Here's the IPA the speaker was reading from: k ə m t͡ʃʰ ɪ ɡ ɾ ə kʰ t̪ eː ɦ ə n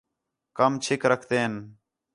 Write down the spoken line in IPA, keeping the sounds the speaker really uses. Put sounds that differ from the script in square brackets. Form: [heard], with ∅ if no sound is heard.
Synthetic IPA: k ə m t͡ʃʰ ɪ [k] ɾ ə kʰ t̪ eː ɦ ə n